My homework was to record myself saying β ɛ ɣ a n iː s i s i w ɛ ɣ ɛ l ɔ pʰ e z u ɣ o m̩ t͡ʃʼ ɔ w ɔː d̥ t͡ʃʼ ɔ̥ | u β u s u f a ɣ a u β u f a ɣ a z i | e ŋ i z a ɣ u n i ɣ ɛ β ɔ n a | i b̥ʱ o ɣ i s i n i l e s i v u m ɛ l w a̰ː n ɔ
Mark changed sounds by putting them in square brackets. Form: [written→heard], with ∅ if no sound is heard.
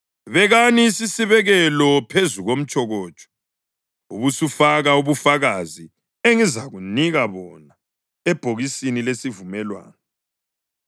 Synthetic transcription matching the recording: β ɛ ɣ a n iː s i s i [w→β] ɛ ɣ ɛ l ɔ pʰ e z u ɣ o m̩ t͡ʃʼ ɔ [w→ɣ] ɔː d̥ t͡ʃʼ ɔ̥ | u β u s u f a ɣ a u β u f a ɣ a z i | e ŋ i z a ɣ u n i ɣ [ɛ→a] β ɔ n a | [i→ɛ] b̥ʱ o ɣ i s i n i l e s i v u m ɛ l w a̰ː n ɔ